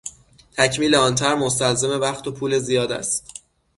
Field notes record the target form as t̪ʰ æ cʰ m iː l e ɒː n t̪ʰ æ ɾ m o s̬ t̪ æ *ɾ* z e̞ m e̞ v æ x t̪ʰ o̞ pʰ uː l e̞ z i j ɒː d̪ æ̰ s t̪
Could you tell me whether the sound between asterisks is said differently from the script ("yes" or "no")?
yes